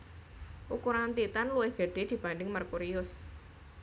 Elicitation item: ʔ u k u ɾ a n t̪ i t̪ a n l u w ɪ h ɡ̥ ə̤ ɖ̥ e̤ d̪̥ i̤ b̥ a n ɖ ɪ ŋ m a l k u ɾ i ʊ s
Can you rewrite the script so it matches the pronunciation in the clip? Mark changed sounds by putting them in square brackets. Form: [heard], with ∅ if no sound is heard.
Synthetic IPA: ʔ u k u ɾ a n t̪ i t̪ a n l u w ɪ h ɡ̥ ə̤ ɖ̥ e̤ d̪̥ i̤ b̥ a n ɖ ɪ ŋ m a [r] k u ɾ i ʊ s

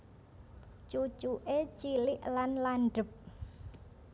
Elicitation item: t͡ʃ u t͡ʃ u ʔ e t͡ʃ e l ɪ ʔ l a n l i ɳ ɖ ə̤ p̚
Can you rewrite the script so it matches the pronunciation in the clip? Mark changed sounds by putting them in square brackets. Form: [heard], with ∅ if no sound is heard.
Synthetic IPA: t͡ʃ u t͡ʃ u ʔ e t͡ʃ [i] l ɪ ʔ l a n l [a] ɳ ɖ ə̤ p̚

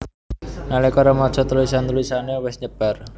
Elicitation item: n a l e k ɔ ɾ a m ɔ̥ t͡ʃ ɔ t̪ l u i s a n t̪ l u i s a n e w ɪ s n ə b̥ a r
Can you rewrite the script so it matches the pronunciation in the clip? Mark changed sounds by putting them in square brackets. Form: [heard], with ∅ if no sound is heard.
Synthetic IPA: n a l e k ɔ ɾ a m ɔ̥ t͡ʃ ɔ t̪ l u i s a n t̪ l u i s a n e w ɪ s [ɲ] ə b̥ a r

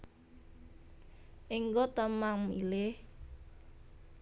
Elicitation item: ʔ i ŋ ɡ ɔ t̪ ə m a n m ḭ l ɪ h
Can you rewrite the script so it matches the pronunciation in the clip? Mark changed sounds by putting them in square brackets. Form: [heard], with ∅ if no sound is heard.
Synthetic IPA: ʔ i ŋ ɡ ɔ t̪ ə m a [ŋ] m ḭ l ɪ h

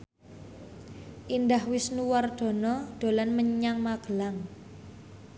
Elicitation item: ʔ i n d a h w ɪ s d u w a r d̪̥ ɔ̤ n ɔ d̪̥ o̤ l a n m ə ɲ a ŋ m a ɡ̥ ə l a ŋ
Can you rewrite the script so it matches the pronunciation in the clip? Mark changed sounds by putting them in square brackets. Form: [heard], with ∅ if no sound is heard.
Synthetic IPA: ʔ i n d a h w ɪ s [n] u w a r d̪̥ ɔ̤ n ɔ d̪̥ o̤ l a n m ə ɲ a ŋ m a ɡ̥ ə l a ŋ

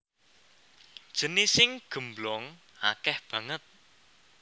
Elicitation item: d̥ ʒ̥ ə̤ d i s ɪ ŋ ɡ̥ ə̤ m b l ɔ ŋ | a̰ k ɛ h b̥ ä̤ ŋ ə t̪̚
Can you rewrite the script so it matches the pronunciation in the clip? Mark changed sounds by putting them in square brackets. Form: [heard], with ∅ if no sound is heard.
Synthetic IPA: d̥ ʒ̥ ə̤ [n] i s ɪ ŋ ɡ̥ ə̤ m b l ɔ ŋ | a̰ k ɛ h b̥ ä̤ ŋ ə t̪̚

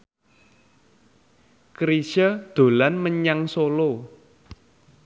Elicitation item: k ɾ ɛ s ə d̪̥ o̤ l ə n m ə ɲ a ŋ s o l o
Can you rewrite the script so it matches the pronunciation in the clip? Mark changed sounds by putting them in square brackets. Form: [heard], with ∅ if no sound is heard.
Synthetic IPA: k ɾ [i] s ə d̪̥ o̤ l [a] n m ə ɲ a ŋ s o l o

